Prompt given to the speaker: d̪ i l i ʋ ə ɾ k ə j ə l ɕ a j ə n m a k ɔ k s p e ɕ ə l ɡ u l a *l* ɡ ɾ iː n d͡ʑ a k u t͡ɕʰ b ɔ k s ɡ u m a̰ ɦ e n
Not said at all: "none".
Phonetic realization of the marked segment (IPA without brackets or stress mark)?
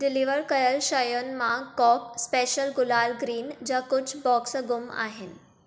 l